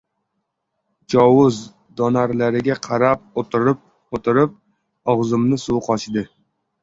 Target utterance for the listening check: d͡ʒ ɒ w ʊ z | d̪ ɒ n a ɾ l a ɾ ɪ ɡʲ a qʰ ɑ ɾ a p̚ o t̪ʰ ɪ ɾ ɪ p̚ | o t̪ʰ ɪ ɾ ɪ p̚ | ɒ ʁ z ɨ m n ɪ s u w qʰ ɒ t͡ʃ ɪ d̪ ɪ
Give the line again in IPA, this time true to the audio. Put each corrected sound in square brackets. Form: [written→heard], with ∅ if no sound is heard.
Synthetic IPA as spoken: d͡ʒ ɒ w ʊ z | d̪ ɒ n a ɾ l a ɾ ɪ ɡʲ a qʰ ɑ ɾ a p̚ o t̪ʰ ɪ ɾ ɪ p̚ | o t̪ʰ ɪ ɾ ɪ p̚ | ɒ ʁ z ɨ m n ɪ s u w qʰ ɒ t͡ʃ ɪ d̪ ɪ

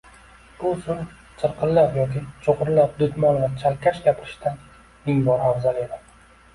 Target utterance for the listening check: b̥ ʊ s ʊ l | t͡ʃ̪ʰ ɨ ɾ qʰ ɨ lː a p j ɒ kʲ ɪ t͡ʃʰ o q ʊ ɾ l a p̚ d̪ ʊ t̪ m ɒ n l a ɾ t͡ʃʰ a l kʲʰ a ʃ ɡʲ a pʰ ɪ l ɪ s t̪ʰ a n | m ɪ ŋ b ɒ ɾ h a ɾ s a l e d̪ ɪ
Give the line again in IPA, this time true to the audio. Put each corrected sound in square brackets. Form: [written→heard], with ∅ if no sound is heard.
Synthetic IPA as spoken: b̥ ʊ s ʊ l | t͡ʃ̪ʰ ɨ ɾ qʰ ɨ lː a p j ɒ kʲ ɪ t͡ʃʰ o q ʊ ɾ l a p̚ d̪ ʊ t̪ m ɒ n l a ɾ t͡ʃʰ a l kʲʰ a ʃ ɡʲ a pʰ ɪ [l→ɾ] ɪ [s→ʃ] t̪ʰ a n | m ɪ ŋ b ɒ ɾ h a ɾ [s→z] a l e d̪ ɪ

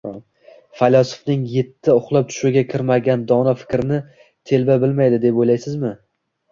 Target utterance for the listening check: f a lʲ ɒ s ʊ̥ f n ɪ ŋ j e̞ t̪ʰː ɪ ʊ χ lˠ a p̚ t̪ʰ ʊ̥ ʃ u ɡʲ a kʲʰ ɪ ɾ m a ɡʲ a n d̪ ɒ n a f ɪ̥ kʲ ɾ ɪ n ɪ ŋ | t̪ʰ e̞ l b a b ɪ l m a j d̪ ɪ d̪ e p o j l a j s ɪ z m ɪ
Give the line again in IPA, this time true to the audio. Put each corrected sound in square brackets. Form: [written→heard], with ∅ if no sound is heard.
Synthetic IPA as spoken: f a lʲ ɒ s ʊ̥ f n ɪ ŋ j e̞ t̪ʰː ɪ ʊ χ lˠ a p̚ t̪ʰ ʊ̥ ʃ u ɡʲ a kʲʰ ɪ ɾ m a ɡʲ a n d̪ ɒ n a f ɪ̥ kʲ ɾ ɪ n ɪ [ŋ→∅] | t̪ʰ e̞ l b a b ɪ l m a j d̪ ɪ d̪ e p o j l a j s ɪ z m ɪ

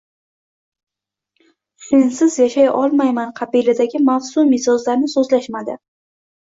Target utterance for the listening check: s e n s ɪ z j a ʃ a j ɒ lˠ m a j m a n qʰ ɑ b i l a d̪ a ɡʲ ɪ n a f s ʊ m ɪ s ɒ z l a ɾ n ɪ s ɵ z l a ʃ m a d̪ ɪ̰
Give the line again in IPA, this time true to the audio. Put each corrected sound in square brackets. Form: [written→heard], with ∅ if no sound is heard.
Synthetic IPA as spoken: s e n s ɪ z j a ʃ a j ɒ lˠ m a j m a n qʰ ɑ b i l a d̪ a ɡʲ ɪ [n→m] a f s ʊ m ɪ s ɒ z l a ɾ n ɪ s ɵ z l a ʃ m a d̪ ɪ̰

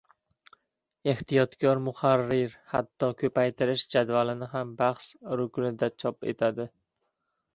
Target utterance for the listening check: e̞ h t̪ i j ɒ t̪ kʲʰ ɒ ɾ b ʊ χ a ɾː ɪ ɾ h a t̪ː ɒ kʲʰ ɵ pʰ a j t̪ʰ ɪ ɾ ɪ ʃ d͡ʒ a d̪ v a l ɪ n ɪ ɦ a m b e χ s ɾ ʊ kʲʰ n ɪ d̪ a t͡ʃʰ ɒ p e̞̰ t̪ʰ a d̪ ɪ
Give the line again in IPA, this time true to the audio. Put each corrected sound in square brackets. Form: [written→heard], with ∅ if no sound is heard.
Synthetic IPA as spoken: e̞ h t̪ i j ɒ t̪ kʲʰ ɒ ɾ [b→m] ʊ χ a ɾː ɪ ɾ h a t̪ː ɒ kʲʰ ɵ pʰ a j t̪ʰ ɪ ɾ ɪ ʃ d͡ʒ a d̪ v a l ɪ n ɪ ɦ a m b [e→a] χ s ɾ ʊ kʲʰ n ɪ d̪ a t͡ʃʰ ɒ p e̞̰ t̪ʰ a d̪ ɪ

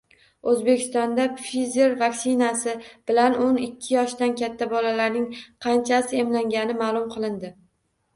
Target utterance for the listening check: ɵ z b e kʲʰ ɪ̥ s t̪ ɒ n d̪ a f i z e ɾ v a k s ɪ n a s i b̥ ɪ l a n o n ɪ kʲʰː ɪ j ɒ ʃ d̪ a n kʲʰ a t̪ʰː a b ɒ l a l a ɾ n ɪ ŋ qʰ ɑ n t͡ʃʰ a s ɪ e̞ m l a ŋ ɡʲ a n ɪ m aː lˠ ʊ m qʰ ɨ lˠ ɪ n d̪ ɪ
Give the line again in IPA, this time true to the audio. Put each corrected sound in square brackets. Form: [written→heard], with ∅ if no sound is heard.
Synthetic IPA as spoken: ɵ z b e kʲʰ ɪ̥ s t̪ ɒ n d̪ a f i z e ɾ v a k s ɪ n a s [i→ɪ] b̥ ɪ l a n o n ɪ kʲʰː ɪ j ɒ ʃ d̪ a n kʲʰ a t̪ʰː a b ɒ l a l a ɾ n ɪ ŋ qʰ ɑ n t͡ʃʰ a s ɪ e̞ m l a ŋ ɡʲ a n ɪ m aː lˠ ʊ m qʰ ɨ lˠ ɪ n d̪ ɪ

